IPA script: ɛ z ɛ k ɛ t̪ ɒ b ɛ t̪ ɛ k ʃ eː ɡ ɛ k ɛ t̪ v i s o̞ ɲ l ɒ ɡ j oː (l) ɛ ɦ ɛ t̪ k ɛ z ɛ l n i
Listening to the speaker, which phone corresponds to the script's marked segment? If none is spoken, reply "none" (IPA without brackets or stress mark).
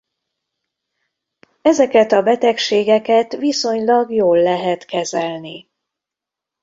lː